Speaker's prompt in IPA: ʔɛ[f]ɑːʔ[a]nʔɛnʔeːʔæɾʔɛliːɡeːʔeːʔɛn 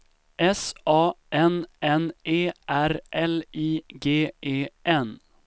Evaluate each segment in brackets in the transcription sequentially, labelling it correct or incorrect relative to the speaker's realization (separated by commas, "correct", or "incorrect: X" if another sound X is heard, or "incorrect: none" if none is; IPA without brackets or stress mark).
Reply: incorrect: s, incorrect: ɛ